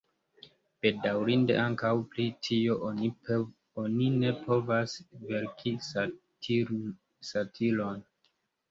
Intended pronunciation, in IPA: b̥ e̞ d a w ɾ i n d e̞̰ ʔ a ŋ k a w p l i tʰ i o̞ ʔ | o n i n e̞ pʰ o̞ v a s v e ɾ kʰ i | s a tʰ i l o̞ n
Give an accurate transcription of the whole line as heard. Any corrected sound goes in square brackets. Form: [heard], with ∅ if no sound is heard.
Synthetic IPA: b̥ e̞ d a w ɾ i n d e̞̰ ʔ a ŋ k a w p l i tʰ i o̞ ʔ | o n i n e̞ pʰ o̞ v a s v e ɾ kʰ i | s a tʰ i l o̞ n

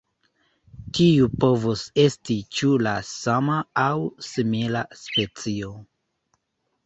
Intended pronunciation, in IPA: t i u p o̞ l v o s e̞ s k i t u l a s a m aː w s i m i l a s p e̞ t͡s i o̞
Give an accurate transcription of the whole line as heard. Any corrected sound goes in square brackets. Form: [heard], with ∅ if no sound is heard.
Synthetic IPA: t i u p o̞ [∅] v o s e̞ s [t] i [t͡ʃ] u l a s a m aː w s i m i l a s p e̞ t͡s i o̞

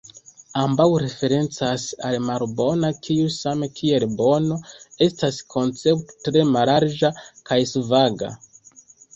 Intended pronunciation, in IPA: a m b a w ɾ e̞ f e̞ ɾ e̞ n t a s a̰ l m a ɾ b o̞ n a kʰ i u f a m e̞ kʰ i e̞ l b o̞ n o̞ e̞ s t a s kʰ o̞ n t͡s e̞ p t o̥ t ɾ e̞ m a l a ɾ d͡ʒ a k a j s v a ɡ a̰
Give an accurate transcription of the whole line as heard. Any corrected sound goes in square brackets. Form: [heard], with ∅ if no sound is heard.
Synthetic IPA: a m b a w ɾ e̞ f e̞ ɾ e̞ n [t͡s] a s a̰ l m a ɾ b o̞ n a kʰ i u [s] a m e̞ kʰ i e̞ l b o̞ n o̞ e̞ s t a s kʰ o̞ n t͡s e̞ p t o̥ t ɾ e̞ m a l a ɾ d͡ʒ a k a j s v a ɡ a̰

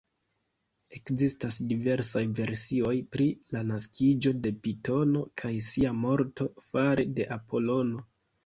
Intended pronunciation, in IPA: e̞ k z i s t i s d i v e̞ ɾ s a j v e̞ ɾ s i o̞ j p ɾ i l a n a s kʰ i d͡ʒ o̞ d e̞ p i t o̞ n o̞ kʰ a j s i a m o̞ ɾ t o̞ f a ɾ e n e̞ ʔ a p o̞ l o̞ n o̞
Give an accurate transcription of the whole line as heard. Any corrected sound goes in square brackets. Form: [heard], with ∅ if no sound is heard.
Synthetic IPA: e̞ k z i s t [a] s d i v e̞ ɾ s a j v e̞ ɾ s i o̞ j p ɾ i l a n a s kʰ i d͡ʒ o̞ d e̞ p i t o̞ n o̞ kʰ a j s i a m o̞ ɾ t o̞ f a ɾ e [d] e̞ ʔ a p o̞ l o̞ n o̞

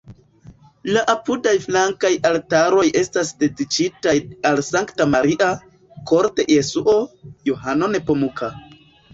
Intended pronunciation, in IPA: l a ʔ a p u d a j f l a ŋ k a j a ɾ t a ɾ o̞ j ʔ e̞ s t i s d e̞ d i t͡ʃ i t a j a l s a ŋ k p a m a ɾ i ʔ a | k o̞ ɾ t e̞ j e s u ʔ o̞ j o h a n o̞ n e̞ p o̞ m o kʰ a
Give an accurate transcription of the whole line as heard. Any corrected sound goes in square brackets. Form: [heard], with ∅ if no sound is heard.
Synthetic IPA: l a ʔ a p u d a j f l a ŋ k a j a [l] t a ɾ o̞ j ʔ e̞ s t [a] s d e̞ d i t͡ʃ i t a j a l s a ŋ k [t] a m a ɾ i ʔ a | k o̞ ɾ t e̞ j e s u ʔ o̞ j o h a n o̞ n e̞ p o̞ m [u] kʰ a

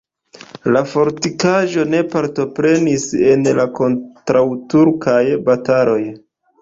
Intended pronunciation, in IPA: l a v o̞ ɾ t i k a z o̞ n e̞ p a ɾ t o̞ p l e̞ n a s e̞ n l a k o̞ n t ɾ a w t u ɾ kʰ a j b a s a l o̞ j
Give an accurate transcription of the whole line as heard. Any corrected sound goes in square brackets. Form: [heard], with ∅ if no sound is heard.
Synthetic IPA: l a [f] o̞ ɾ t i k a [ʒ] o̞ n e̞ p a ɾ t o̞ p [ɾ] e̞ n [i] s e̞ n l a k o̞ n t ɾ a w t u ɾ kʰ a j b a [t] a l o̞ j

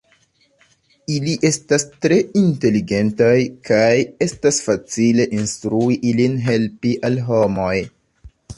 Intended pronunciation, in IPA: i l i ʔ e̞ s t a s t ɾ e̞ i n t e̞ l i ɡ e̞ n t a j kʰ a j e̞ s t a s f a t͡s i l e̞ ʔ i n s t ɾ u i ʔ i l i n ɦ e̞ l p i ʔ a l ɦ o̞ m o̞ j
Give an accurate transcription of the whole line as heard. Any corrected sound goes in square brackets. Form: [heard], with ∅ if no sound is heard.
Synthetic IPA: i l i ʔ e̞ s t a s t ɾ e̞ i n t e̞ l i ɡ e̞ n t a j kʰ a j e̞ s t a s f a t͡s i l e̞ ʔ i n s t ɾ u i ʔ i l i n ɦ e̞ l p i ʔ a l ɦ o̞ m o̞ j

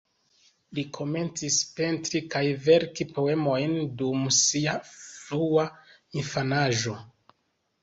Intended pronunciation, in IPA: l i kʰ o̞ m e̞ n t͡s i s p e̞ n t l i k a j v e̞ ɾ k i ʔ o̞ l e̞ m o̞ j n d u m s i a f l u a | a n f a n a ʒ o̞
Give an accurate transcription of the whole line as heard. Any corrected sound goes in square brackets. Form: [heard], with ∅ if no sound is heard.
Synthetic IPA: l i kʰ o̞ m e̞ n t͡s i s p e̞ n t [ɾ] i k a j v e̞ ɾ k i [p] o̞ [∅] e̞ m o̞ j n d u m s i a f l u a | [i] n f a n a ʒ o̞

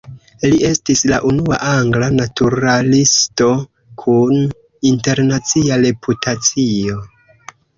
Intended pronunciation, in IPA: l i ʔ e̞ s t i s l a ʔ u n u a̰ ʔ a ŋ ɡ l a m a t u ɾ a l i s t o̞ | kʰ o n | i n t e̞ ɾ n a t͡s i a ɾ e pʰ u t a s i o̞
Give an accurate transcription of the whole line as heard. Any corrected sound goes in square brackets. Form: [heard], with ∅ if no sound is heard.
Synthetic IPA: l i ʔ e̞ s t i s l a ʔ u n u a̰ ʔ a ŋ ɡ l a [n] a t u ɾ a l i s t o̞ | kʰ [u] n | i n t e̞ ɾ n a t͡s i a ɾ e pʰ u t a [t͡s] i o̞

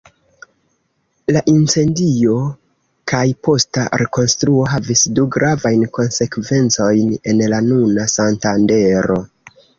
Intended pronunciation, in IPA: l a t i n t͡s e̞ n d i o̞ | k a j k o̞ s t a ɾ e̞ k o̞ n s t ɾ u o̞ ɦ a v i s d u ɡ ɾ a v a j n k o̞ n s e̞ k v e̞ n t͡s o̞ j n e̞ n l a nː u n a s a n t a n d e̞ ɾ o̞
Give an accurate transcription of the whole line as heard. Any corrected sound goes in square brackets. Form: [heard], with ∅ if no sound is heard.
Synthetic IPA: l a [ʔ] i n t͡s e̞ n d i o̞ | k a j [p] o̞ s t a ɾ e̞ k o̞ n s t ɾ u o̞ ɦ a v i s d u ɡ ɾ a v a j n k o̞ n s e̞ k v e̞ n t͡s o̞ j n e̞ n l a [n] u n a s a n t a n d e̞ ɾ o̞

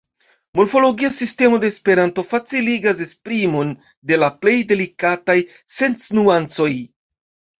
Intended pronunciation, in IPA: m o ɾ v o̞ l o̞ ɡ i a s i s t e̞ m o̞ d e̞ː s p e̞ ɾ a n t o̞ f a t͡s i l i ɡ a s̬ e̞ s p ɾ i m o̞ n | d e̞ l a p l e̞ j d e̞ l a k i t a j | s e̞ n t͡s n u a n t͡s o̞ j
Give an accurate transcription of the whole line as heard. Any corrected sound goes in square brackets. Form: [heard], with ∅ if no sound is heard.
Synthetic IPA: m o ɾ [f] o̞ l o̞ ɡ i a s i s t e̞ m o̞ d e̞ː s p e̞ ɾ a n t o̞ f a t͡s i l i ɡ a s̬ e̞ s p ɾ i m o̞ n | d e̞ l a p l e̞ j d e̞ l [i] k [a] t a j | s e̞ n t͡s n u a n t͡s o̞ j

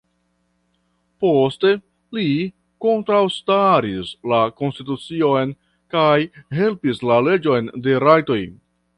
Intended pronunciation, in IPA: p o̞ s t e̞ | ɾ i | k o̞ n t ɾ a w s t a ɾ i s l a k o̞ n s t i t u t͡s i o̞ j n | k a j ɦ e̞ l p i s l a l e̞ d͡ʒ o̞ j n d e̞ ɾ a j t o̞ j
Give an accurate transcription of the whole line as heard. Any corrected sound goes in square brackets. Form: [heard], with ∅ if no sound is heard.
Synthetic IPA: p o̞ s t e̞ | [l] i | k o̞ n t ɾ a w s t a ɾ i s l a k o̞ n s t i t u t͡s i o̞ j n | k a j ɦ e̞ l p i s l a l e̞ d͡ʒ o̞ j n d e̞ ɾ a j t o̞ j

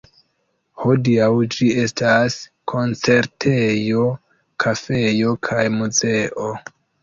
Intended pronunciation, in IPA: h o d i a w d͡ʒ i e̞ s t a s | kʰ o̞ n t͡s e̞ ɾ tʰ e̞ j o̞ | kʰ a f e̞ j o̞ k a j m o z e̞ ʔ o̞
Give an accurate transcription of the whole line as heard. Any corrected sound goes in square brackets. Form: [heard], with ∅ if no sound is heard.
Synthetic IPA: h o d i a w d͡ʒ i e̞ s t a s | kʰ o̞ n t͡s e̞ ɾ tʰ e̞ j o̞ | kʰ a f e̞ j o̞ [kʰ] a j m [u] z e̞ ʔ o̞

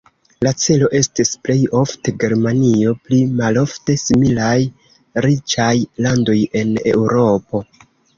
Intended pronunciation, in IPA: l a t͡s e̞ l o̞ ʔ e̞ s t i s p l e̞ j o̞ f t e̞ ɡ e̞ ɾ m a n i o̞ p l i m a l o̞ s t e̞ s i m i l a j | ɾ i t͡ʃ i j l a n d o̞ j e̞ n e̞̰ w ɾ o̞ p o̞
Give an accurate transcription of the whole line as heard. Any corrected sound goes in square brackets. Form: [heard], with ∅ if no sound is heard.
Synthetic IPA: l a t͡s e̞ l o̞ ʔ e̞ s t i s p l e̞ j o̞ f t e̞ ɡ e̞ ɾ m a n i o̞ p l i m a l o̞ [f] t e̞ s i m i l a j | ɾ i t͡ʃ [a] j l a n d o̞ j e̞ n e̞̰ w ɾ o̞ p o̞

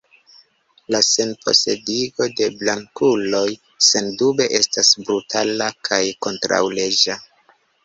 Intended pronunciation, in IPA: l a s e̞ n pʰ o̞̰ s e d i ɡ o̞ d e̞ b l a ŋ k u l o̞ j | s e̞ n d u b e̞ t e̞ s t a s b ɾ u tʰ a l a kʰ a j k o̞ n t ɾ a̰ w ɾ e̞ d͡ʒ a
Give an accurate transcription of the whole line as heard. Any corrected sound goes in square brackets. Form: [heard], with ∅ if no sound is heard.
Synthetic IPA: l a s e̞ n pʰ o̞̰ s e d i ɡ o̞ d e̞ b l a ŋ k u l o̞ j | s e̞ n d u b e̞ [ʔ] e̞ s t a s b ɾ u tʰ a l a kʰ a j k o̞ n t ɾ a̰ w [l] e̞ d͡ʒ a

